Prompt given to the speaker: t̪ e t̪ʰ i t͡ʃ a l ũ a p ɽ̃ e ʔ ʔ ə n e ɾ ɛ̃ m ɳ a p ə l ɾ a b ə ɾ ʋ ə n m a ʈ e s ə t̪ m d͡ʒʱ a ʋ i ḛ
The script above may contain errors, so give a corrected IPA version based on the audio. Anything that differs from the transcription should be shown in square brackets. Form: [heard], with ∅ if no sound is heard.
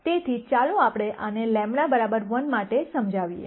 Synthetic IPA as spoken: t̪ e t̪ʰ i t͡ʃ a l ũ a p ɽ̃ e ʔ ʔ ə n e [l] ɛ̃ m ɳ a [b] ə [∅] ɾ a b ə ɾ ʋ ə n m a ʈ e s ə [∅] m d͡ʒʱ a ʋ i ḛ